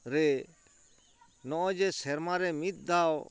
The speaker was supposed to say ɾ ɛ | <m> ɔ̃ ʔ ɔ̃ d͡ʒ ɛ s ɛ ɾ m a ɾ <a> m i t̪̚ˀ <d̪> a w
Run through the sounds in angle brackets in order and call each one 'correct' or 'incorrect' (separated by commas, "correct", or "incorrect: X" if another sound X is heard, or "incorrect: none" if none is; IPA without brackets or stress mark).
incorrect: n, incorrect: ɛ, correct